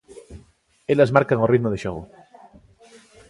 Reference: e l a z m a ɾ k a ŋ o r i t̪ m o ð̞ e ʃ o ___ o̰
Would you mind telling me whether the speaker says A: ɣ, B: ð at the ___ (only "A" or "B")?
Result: A